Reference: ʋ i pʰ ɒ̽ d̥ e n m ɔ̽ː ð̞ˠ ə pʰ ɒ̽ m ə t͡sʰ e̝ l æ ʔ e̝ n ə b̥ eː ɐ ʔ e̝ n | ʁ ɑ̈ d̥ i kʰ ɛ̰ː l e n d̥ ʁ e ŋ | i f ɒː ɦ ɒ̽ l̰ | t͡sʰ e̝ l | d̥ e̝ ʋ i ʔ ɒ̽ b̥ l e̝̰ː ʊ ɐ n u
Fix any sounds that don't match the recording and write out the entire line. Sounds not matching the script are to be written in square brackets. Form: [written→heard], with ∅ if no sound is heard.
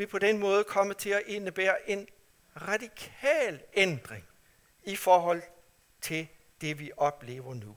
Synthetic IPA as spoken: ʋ i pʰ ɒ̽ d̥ e n m ɔ̽ː ð̞ˠ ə [pʰ→kʰ] ɒ̽ m ə t͡sʰ e̝ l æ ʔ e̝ n ə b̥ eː ɐ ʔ e̝ n | ʁ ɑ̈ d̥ i kʰ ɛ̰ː l e n d̥ ʁ e ŋ | i f ɒː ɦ ɒ̽ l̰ | t͡sʰ e̝ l | d̥ e̝ ʋ i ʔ ɒ̽ b̥ l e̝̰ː ʊ ɐ n u